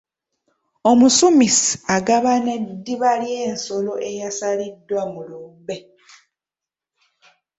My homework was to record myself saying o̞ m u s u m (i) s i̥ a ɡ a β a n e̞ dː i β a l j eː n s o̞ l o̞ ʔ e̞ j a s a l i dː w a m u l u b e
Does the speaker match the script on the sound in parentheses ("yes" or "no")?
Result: yes